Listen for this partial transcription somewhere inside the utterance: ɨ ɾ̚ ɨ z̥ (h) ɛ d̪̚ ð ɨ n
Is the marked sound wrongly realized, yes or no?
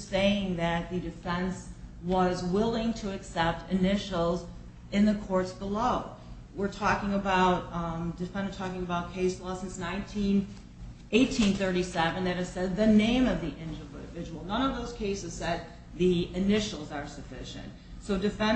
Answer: yes